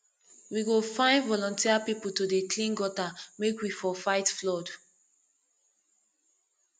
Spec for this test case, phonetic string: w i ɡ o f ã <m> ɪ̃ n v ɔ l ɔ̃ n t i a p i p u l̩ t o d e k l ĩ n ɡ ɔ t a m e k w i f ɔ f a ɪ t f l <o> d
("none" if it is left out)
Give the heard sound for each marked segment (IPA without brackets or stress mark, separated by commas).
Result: none, ɔ